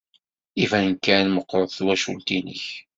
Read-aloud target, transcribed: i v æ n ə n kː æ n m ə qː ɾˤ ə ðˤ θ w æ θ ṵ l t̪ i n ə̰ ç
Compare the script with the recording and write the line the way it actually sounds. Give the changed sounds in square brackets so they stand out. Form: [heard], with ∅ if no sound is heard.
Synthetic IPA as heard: i v æ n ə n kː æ n m ə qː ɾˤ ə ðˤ θ w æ [ʃ] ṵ l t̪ i n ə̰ ç